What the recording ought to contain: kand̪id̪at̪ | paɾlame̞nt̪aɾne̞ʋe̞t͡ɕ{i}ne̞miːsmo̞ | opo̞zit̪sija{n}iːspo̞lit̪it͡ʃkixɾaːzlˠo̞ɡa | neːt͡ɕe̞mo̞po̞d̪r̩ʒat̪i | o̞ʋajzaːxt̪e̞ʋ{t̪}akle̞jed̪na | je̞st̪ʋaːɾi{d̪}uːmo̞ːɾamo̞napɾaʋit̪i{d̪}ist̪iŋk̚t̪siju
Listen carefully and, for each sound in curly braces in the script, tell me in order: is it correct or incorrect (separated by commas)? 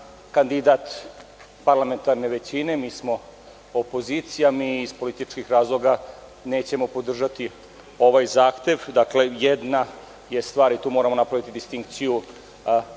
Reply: correct, incorrect, incorrect, incorrect, correct